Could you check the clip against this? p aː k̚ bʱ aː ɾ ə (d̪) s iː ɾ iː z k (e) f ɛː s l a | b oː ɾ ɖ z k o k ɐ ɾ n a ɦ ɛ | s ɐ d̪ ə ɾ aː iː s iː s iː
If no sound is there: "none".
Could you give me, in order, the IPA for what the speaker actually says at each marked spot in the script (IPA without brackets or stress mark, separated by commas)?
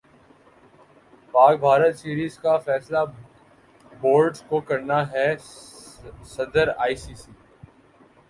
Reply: t̪, a